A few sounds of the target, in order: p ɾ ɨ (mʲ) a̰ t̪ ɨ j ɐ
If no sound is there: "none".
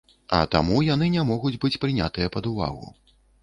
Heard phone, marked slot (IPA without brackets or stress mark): nʲ